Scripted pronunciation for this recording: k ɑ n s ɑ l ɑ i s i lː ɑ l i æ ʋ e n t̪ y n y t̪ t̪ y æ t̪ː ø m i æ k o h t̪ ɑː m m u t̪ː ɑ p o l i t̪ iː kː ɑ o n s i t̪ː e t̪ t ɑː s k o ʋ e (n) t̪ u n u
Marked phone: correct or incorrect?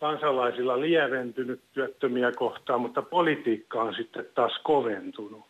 correct